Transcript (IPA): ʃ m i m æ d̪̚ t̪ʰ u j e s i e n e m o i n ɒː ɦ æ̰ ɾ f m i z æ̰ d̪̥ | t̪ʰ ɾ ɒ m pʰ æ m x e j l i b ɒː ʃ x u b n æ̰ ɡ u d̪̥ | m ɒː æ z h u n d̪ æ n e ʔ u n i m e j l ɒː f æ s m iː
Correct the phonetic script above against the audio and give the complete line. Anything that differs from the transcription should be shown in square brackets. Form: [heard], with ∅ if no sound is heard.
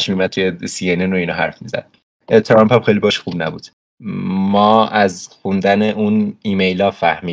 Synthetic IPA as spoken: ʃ m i m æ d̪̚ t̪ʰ u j e s i e n e [n] o i n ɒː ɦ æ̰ ɾ f m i z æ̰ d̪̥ | t̪ʰ ɾ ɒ m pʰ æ m x e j l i b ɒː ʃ x u b n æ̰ [b] u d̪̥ | m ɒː æ z [x] u n d̪ æ n e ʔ u n i m e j l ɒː f æ [h] m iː